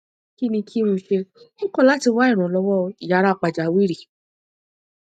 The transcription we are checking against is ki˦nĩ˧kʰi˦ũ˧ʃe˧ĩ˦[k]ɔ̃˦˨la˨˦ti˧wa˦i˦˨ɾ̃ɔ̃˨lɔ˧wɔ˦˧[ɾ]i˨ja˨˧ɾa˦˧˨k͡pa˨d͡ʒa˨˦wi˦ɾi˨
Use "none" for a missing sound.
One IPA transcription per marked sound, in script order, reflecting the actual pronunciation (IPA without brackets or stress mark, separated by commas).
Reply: k, none